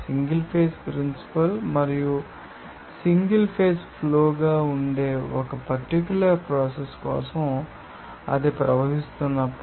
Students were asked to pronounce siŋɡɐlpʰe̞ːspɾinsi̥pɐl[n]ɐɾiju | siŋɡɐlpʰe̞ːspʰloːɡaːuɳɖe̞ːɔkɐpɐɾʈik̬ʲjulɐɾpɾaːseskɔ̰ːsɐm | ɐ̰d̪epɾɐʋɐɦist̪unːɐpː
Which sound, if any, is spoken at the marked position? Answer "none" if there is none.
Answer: m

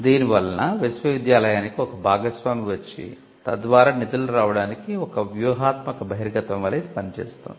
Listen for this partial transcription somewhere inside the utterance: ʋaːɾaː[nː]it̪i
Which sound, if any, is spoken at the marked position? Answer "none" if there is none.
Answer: n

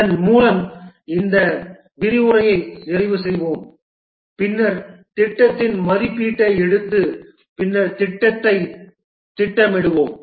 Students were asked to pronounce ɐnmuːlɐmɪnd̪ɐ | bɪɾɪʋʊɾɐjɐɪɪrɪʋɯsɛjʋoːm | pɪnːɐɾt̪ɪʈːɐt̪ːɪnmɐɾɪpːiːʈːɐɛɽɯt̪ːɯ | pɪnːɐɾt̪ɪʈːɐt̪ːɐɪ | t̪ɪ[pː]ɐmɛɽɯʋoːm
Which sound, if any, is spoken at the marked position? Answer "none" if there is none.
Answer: ʈː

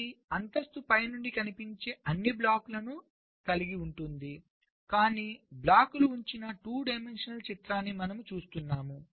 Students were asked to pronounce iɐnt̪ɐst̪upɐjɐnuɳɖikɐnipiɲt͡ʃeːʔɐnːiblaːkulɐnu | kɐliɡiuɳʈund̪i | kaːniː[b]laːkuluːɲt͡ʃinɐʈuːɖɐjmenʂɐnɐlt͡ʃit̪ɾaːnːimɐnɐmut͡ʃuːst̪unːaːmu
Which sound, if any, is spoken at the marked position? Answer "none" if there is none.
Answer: b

